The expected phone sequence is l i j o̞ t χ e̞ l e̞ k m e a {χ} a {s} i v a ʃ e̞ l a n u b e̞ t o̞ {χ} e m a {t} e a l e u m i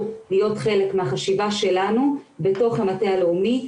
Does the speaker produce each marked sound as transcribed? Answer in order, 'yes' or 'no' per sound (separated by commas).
yes, no, yes, yes